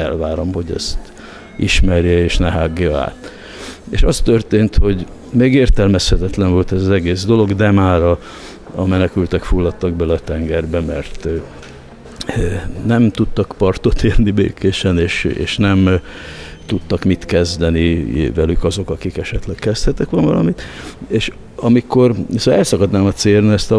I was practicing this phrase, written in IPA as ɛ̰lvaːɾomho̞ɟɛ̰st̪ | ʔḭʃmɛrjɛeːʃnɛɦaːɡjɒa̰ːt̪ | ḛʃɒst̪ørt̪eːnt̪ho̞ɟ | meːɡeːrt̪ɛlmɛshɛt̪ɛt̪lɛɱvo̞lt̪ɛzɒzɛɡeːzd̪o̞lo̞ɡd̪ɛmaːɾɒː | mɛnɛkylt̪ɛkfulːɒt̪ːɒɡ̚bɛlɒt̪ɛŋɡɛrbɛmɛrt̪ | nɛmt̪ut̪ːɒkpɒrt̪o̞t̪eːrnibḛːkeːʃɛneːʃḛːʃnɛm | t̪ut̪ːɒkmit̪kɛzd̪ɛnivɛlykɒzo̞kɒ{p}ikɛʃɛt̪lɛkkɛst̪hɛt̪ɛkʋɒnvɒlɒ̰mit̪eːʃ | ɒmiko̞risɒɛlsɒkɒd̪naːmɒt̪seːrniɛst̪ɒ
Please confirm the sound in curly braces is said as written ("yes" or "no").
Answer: no